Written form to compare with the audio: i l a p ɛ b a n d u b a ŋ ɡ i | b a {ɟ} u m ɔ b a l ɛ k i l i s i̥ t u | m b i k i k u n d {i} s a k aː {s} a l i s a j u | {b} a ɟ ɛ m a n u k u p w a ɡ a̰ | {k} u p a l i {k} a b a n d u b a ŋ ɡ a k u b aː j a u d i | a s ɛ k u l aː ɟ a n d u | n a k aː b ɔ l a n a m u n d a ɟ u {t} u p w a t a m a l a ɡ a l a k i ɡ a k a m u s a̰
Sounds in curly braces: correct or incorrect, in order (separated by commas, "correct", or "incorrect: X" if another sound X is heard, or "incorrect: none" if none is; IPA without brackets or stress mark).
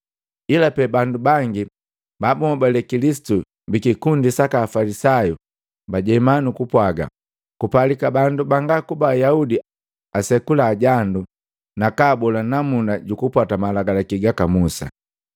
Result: incorrect: b, correct, incorrect: f, correct, correct, correct, incorrect: k